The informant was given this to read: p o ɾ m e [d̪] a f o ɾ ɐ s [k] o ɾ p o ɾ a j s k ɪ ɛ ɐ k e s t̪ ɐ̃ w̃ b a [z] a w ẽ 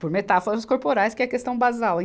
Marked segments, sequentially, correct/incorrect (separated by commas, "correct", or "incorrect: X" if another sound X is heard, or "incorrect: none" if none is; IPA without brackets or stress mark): incorrect: t̪, correct, correct